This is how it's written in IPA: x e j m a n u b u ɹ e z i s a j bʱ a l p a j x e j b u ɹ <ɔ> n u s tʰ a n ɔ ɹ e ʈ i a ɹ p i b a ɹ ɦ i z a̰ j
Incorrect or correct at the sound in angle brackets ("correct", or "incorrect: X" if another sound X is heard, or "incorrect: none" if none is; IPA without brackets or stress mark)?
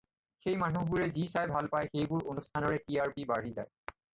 incorrect: o